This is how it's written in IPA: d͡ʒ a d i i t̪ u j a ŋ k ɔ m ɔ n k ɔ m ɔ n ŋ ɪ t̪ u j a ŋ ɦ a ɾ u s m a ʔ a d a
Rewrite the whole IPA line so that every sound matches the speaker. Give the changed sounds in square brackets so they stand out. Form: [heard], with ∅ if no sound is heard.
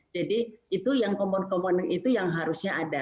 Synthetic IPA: d͡ʒ a d i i t̪ u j a ŋ k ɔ m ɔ n k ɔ m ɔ n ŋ [i] t̪ u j a ŋ ɦ a ɾ u s [ɲ] a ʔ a d a